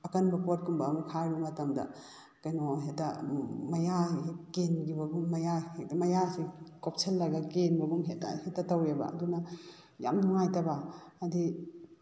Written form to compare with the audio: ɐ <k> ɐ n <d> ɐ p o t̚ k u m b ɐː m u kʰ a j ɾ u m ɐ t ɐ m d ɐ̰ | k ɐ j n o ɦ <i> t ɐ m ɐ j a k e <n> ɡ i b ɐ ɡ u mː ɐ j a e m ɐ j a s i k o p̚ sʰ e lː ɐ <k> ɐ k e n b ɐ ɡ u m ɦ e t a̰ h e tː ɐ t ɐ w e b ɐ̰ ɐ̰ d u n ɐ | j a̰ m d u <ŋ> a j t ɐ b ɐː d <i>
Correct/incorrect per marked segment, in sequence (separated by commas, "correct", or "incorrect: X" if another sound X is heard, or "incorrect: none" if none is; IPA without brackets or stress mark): correct, incorrect: b, incorrect: e, correct, incorrect: ɡ, correct, correct